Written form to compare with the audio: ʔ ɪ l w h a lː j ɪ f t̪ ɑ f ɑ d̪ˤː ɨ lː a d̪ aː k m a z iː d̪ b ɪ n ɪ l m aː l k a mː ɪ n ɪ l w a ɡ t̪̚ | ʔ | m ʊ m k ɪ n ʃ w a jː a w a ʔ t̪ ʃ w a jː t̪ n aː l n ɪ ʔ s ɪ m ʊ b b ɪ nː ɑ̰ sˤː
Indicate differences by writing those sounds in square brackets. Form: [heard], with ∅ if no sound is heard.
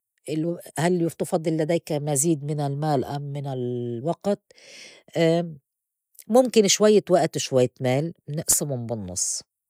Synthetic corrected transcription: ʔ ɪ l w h a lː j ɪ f t̪ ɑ f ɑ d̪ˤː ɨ lː a d̪ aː k m a z iː d̪ [m] ɪ n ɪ l m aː l [ʔ] a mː ɪ n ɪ l w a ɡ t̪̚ | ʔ | m ʊ m k ɪ n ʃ w a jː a w a ʔ t̪ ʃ w a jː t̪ [m] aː l n ɪ ʔ s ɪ m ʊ [m] b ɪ nː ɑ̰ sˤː